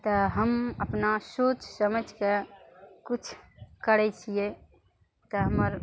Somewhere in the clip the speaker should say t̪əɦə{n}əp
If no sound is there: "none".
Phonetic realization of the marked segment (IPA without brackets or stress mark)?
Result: m